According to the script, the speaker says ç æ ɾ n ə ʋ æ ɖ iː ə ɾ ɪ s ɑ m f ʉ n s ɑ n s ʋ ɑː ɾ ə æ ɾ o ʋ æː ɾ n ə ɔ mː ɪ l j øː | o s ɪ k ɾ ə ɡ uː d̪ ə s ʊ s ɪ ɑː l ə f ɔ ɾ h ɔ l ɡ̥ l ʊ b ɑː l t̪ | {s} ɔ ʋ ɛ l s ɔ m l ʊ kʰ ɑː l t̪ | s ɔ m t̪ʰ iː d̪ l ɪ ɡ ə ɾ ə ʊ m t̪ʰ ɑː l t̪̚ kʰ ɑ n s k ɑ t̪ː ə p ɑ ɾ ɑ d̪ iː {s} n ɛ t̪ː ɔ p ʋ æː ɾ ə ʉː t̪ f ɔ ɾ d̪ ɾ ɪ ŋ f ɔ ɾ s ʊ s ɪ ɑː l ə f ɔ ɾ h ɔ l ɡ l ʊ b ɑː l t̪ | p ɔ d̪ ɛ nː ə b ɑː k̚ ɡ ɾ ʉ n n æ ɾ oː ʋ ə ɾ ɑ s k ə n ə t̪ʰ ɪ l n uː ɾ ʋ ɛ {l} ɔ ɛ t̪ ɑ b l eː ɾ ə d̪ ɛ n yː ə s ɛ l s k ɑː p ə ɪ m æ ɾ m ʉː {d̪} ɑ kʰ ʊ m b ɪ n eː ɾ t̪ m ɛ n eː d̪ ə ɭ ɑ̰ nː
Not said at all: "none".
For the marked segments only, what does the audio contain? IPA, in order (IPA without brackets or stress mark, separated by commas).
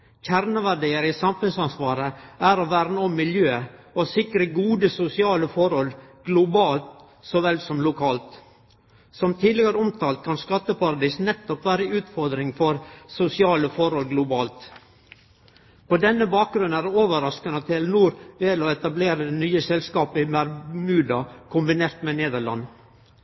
s, s, l, d̪